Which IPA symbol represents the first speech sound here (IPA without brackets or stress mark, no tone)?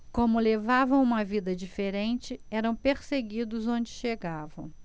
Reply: k